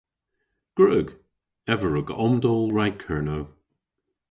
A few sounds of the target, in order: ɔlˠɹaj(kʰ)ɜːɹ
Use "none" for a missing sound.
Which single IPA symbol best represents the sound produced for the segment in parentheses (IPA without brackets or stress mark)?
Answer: kʰ